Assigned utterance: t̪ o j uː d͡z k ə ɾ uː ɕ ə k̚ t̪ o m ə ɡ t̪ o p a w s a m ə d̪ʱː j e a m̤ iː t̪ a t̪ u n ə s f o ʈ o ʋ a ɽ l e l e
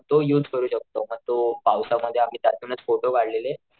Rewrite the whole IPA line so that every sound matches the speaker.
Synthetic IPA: t̪ o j uː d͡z k ə ɾ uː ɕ ə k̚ t̪ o m ə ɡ t̪ o p a w s a m ə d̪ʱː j e a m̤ iː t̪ a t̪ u n ə t͡s f o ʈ o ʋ a ɽ l e l e